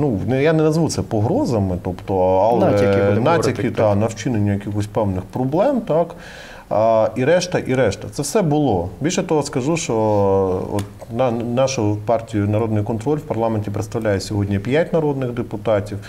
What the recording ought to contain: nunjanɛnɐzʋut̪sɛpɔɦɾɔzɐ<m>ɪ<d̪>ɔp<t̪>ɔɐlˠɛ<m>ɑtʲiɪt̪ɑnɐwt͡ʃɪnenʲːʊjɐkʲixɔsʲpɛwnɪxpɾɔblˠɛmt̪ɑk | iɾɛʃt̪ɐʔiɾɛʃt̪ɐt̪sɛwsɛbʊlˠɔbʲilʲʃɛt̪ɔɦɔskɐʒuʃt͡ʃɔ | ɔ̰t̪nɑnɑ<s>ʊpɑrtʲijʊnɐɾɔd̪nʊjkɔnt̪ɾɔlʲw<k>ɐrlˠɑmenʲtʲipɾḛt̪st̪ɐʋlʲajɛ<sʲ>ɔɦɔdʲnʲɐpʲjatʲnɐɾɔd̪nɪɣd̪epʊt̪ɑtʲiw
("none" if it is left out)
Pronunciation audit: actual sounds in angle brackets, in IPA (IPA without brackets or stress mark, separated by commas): m, t̪, t̪, n, ʃ, p, sʲ